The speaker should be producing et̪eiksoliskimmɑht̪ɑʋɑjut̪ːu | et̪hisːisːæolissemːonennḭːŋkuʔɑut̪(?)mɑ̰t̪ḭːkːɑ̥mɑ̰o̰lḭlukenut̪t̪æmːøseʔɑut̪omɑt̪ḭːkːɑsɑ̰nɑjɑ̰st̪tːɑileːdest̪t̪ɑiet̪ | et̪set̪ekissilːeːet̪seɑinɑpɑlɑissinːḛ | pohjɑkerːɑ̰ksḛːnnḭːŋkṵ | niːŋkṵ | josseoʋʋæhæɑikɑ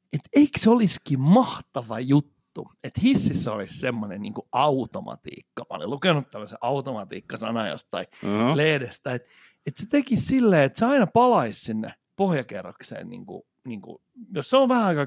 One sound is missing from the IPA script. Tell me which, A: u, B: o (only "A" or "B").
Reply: B